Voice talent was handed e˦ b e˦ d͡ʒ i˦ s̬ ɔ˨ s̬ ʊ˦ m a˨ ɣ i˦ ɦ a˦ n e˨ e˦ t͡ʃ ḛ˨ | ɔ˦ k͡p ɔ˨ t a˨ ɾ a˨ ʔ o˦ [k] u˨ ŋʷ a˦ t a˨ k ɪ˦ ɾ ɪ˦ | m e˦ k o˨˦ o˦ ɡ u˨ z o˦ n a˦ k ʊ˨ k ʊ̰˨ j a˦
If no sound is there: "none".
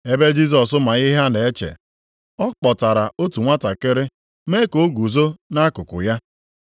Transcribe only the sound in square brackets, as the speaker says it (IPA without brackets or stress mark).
t